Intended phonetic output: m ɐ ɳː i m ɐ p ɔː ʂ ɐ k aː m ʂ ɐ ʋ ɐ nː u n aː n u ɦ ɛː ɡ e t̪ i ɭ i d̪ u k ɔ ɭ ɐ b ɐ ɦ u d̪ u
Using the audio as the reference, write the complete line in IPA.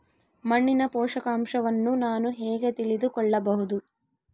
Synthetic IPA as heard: m ɐ ɳː i n ɐ p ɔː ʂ ɐ k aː m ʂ ɐ ʋ ɐ nː u n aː n u ɦ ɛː ɡ e t̪ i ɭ i d̪ u k ɔ ɭː ɐ b ɐ ɦ u d̪ u